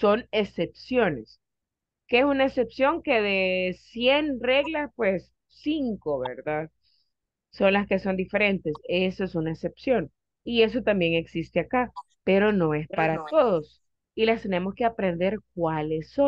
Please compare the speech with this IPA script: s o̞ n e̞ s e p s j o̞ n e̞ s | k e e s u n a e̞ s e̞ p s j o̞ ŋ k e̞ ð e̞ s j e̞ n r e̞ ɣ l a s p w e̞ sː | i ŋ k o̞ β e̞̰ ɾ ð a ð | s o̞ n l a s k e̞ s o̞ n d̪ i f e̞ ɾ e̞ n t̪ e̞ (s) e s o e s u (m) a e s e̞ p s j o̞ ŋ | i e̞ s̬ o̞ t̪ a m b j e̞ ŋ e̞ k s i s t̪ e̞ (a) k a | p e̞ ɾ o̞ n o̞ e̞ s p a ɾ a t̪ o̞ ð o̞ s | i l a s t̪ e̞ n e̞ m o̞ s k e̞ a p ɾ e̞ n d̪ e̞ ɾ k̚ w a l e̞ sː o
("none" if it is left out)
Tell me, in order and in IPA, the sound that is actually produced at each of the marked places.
s, n, a

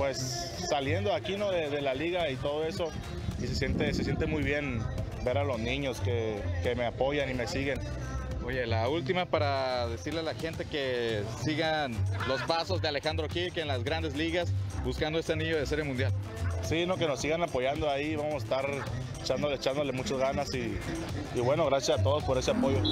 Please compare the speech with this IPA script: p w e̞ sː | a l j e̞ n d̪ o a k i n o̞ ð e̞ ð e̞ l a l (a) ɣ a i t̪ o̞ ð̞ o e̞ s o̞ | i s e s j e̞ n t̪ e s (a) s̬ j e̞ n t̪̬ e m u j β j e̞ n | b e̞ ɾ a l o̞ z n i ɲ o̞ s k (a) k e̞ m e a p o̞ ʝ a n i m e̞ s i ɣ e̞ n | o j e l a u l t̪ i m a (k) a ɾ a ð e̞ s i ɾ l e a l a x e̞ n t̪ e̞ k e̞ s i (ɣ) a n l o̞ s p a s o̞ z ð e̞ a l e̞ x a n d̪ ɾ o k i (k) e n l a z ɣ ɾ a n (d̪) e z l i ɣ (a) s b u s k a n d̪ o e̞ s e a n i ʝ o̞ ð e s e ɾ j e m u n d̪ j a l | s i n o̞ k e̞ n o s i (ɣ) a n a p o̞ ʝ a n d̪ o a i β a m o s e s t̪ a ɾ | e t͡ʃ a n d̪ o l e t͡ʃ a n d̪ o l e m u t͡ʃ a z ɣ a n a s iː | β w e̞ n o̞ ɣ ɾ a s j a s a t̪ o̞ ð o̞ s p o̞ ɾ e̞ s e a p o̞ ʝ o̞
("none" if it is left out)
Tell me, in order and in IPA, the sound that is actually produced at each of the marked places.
i, e, e, p, ɣ, k, d̪, a, ɣ

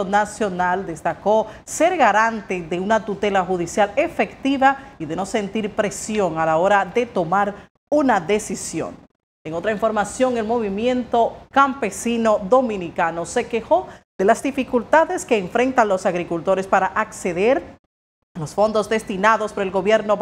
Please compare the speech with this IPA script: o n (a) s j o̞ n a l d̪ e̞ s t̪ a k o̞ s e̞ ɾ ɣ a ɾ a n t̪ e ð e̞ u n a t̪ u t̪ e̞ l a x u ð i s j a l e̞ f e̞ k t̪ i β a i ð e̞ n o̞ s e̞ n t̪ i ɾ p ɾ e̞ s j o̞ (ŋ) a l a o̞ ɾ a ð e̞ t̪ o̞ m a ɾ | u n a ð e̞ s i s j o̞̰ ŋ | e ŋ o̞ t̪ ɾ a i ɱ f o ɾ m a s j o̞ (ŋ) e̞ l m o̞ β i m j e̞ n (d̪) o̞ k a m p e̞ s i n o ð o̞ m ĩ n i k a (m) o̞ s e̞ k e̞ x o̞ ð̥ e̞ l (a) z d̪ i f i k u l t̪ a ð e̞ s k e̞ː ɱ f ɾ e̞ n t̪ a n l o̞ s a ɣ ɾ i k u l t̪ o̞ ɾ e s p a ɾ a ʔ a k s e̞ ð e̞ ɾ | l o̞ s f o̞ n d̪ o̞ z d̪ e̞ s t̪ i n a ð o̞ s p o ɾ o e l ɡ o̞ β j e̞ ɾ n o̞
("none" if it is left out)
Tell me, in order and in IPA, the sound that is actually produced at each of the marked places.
a, ŋ, ŋ, t̪, n, a

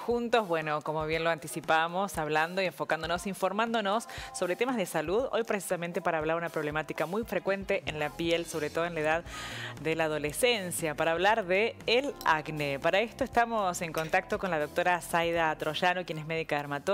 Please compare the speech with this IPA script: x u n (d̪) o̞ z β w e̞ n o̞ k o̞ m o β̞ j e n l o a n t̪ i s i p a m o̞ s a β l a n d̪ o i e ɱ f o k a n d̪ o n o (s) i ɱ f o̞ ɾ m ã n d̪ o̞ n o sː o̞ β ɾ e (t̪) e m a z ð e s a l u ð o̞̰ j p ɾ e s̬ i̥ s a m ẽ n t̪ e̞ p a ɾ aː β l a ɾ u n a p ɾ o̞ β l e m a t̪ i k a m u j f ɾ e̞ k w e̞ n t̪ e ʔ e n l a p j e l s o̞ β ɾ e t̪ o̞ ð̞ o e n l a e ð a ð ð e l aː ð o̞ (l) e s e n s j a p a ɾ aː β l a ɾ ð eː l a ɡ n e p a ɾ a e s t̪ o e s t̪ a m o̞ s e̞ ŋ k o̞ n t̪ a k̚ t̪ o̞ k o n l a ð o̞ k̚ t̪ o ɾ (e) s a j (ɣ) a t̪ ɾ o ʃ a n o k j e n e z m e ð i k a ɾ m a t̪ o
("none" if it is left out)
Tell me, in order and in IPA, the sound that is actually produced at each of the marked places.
t̪, s, t̪, l, a, ð

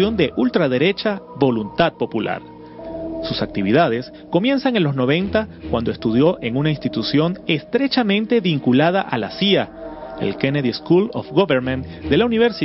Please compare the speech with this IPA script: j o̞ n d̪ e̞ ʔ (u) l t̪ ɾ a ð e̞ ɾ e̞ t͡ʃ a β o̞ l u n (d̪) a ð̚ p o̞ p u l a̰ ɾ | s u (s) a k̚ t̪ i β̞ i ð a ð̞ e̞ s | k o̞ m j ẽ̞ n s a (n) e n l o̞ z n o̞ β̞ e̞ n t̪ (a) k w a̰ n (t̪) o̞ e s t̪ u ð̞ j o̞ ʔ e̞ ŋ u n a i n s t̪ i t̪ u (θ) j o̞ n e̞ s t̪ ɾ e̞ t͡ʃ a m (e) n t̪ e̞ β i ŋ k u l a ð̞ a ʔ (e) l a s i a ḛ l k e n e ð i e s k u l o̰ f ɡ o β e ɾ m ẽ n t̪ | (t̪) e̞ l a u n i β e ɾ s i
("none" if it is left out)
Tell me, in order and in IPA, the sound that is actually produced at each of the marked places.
u, t̪, s, ŋ, a, d̪, s, ẽ, a, d̪

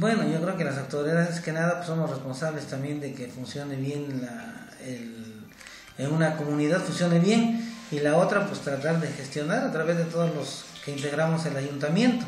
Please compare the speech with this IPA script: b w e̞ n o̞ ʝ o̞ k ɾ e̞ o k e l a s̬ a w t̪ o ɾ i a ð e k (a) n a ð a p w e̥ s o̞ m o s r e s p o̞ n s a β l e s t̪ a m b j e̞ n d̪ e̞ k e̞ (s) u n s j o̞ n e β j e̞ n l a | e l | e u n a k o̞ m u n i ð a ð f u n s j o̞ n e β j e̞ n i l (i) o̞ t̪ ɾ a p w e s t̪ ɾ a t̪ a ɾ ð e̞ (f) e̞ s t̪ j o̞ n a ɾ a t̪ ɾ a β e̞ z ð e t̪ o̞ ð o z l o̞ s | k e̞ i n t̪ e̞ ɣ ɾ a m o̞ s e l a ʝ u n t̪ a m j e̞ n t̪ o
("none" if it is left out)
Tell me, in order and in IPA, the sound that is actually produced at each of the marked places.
e, f, a, x

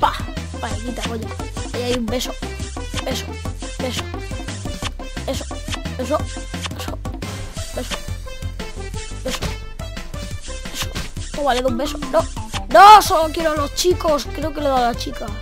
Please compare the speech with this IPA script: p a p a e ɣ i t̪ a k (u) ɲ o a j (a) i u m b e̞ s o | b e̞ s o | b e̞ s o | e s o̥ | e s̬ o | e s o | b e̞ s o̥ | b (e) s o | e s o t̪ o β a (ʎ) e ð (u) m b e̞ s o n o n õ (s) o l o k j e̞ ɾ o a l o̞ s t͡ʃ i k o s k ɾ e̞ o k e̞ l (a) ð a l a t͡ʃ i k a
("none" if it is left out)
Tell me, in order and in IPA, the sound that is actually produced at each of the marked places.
o, a, e, l, u, s, e

